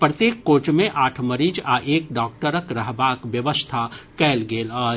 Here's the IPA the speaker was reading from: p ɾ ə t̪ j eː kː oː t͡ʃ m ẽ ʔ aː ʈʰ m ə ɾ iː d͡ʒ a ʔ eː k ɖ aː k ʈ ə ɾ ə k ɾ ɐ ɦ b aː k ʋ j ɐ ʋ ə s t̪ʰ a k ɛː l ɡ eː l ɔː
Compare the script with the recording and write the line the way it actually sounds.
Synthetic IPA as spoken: p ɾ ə t̪ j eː kː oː t͡ʃ m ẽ ʔ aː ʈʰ m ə ɾ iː d͡ʒ a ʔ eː k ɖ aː k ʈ ə ɾ ə k ɾ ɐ ɦ b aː k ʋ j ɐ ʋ ə s t̪ʰ a k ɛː l ɡ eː l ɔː

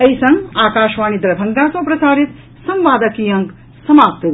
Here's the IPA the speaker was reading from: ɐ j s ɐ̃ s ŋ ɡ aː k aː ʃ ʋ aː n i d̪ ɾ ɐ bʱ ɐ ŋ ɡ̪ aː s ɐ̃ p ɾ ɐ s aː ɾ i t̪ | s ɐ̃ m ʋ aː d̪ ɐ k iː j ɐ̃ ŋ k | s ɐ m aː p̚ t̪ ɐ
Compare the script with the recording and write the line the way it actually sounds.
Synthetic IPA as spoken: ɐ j s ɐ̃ ŋ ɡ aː k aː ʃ ʋ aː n i d̪ ɾ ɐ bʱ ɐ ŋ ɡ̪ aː s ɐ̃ p ɾ ɐ s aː ɾ i t̪ | s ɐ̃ m ʋ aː d̪ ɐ k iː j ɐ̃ ŋ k | s ɐ m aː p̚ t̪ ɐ

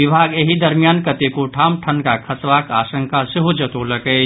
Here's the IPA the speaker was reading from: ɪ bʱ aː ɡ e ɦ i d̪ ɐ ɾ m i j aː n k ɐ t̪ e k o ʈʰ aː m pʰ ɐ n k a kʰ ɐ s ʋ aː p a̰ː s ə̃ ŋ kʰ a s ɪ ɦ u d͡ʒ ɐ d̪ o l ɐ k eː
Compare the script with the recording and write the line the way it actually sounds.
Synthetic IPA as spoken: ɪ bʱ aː ɡ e ɦ i d̪ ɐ ɾ m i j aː n k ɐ t̪ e k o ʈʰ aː m ʈʰ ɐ n k a kʰ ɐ s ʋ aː k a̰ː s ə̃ ŋ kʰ a s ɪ ɦ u d͡ʒ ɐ t̪ o l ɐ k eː

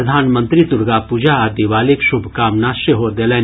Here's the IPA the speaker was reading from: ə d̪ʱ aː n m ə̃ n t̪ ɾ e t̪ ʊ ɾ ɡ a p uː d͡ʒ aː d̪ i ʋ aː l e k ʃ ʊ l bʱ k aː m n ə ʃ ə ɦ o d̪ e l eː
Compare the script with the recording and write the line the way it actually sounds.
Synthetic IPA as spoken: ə d̪ʱ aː n m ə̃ n t̪ ɾ i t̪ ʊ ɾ ɡ a p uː d͡ʒ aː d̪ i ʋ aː l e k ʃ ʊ bʱ k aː m n a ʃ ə ɦ o d̪ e l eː

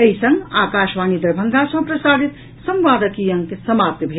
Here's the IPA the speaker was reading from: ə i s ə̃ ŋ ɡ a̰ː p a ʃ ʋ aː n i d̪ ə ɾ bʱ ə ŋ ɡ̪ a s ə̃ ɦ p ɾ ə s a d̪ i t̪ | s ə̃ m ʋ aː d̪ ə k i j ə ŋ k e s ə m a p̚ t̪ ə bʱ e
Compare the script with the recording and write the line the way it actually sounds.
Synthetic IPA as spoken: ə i s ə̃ ŋ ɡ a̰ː k a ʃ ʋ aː n i d̪ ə ɾ bʱ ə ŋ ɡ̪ a s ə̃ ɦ p ɾ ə s a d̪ i t̪ | s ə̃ m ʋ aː d̪ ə k i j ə ŋ k e s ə m a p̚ t̪ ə bʱ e

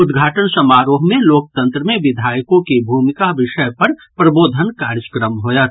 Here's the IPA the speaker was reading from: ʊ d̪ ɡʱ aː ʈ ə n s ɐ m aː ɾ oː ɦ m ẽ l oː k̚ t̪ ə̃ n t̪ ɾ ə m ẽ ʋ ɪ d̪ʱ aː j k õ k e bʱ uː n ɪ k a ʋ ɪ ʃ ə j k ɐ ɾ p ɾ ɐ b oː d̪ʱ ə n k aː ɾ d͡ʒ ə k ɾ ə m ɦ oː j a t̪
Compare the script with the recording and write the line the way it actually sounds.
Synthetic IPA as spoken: ʊ d̪ ɡʱ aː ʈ ə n s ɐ m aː ɾ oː ɦ m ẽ l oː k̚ t̪ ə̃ n t̪ ɾ ə m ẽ ʋ ɪ d̪ʱ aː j k õ k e bʱ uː m ɪ k a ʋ ɪ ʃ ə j p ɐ ɾ p ɾ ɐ b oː d̪ʱ ə n k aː ɾ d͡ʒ ə k ɾ ə m ɦ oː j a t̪

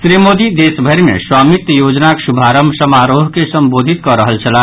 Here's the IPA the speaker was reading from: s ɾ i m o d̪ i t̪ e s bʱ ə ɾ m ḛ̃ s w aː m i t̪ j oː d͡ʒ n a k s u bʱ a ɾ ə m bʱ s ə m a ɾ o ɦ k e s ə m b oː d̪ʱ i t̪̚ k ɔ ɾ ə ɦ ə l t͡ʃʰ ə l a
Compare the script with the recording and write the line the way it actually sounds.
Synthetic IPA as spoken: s ɾ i m o d̪ i d̪ e s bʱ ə ɾ m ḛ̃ s w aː m i t̪ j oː d͡ʒ n a k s u bʱ a ɾ ə m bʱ s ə m a ɾ o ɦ k e s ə m b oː d̪ʱ i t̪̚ k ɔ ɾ ə ɦ ə l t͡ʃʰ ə l a

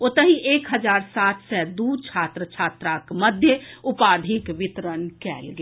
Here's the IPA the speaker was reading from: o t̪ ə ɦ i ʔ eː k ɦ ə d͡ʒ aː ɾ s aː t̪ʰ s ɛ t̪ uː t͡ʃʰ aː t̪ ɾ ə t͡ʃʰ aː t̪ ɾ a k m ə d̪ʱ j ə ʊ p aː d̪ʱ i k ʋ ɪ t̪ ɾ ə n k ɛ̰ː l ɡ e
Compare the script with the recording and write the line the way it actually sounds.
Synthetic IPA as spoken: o t̪ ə ɦ i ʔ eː k ɦ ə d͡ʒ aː ɾ s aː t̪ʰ s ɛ d̪ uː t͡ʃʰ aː t̪ ɾ ə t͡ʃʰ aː t̪ ɾ a k m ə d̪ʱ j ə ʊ p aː d̪ʱ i k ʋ ɪ t̪ ɾ ə n k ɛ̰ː l ɡ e

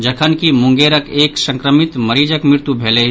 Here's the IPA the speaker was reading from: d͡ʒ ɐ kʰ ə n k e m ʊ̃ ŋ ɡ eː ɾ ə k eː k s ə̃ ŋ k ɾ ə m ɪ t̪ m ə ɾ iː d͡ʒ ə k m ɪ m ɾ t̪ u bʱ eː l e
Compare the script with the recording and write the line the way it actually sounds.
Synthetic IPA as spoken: d͡ʒ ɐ kʰ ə n k i m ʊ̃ ŋ ɡ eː ɾ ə k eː k s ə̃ ŋ k ɾ ə m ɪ t̪ m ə ɾ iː d͡ʒ ə k m ɪ ɾ t̪ u bʱ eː l e

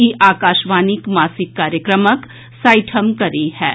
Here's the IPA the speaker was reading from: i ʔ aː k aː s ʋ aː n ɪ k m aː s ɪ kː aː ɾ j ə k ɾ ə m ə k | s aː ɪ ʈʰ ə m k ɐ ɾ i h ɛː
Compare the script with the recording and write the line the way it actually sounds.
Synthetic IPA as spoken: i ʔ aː k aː ʃ ʋ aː n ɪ k m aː s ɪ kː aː ɾ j ə k ɾ ə m ə k | s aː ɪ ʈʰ ə m k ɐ ɾ i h ɛː

